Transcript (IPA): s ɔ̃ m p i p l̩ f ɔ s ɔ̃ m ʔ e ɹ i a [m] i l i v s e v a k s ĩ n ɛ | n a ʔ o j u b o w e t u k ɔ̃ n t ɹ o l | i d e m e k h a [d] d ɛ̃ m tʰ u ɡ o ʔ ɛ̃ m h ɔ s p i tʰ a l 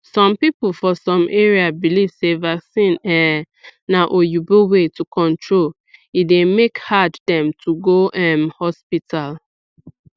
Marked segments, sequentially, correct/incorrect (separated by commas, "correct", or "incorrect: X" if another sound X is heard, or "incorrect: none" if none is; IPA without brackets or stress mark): incorrect: b, correct